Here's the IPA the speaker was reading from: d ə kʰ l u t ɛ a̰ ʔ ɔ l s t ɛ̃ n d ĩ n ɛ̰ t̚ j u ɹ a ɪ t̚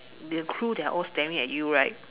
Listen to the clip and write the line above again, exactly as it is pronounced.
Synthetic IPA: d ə kʰ ɹ u d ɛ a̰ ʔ ɔ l s t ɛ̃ n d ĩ ŋ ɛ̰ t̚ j u ɹ a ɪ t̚